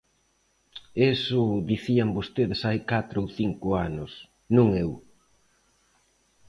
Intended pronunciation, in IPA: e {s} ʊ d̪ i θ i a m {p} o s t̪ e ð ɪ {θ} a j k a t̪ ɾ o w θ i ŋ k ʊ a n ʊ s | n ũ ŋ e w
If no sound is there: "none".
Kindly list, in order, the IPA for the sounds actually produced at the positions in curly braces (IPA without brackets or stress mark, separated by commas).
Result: s, b, s